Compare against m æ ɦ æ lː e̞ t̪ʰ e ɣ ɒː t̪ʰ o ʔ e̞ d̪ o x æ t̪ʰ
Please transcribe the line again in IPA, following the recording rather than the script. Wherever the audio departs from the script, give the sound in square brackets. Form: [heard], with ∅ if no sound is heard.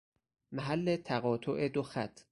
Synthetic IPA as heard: m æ ɦ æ lː e̞ t̪ʰ [æ] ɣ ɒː t̪ʰ o ʔ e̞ d̪ o x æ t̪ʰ